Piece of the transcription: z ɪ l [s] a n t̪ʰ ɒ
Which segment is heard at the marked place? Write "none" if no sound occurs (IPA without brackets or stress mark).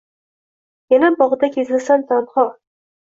s